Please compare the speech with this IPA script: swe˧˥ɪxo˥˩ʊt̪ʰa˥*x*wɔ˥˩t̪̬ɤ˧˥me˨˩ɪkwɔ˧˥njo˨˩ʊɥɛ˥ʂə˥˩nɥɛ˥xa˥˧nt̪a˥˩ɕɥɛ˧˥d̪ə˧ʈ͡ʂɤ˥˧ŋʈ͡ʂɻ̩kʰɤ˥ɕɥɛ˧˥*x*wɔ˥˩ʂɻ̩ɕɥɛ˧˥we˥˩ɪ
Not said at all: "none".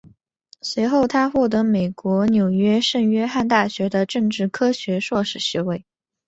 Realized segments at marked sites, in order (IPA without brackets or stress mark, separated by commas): x, ʂ